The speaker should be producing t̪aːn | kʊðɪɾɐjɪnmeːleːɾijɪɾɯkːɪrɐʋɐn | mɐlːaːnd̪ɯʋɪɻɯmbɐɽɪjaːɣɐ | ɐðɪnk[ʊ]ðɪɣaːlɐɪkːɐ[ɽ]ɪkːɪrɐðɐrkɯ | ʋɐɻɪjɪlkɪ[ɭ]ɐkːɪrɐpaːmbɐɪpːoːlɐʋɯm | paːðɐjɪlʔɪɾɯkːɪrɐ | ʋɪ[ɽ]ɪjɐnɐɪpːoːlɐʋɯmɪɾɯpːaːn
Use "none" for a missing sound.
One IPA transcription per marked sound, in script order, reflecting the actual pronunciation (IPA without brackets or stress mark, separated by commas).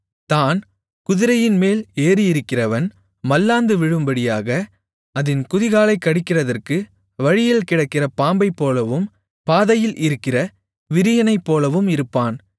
ʊ, ɽ, ɽ, ɾ